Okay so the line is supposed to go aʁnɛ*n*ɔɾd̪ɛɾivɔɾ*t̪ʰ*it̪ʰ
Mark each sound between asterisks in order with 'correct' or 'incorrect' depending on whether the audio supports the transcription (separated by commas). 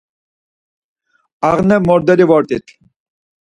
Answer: incorrect, incorrect